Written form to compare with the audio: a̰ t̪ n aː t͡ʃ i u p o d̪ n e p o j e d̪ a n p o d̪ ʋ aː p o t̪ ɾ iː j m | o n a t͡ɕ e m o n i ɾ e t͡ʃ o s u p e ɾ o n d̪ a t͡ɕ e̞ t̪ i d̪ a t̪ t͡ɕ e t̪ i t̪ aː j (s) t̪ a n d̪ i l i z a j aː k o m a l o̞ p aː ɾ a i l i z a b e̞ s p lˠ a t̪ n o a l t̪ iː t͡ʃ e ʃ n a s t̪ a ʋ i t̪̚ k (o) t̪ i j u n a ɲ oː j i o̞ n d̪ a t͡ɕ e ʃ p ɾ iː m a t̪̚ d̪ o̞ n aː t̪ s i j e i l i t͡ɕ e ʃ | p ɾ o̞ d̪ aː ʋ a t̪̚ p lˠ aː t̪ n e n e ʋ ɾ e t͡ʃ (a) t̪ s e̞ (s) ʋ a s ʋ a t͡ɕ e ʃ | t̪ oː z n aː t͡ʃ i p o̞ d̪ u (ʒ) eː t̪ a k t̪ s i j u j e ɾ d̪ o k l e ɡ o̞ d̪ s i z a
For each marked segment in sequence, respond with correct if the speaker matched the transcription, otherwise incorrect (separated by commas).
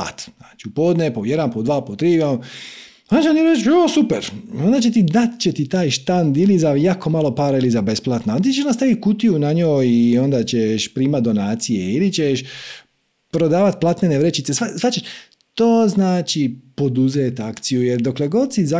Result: incorrect, incorrect, incorrect, correct, incorrect